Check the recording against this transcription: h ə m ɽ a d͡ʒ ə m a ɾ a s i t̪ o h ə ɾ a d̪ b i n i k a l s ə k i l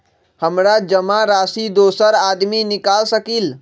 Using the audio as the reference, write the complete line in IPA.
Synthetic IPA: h ə m ɾ a d͡ʒ ə m a ɾ a s i d̪ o s ə ɾ a d̪ m i n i k a l s ə k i l